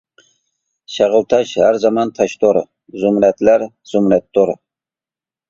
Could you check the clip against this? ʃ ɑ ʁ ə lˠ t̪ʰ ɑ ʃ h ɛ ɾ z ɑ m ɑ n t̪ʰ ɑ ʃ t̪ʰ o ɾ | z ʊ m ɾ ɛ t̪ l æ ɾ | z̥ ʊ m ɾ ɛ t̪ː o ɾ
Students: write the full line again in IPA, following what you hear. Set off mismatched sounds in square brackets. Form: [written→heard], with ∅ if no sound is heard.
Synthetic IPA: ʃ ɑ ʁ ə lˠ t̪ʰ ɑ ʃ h [ɛ→æ] ɾ z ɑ m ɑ n t̪ʰ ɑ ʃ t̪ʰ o ɾ | z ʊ m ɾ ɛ t̪ l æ ɾ | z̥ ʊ m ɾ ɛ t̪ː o ɾ